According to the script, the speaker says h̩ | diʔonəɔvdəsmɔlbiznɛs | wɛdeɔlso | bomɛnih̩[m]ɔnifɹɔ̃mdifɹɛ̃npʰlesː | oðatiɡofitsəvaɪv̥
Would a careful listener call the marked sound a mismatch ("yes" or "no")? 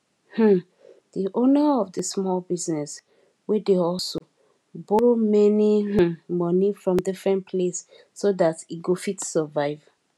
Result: no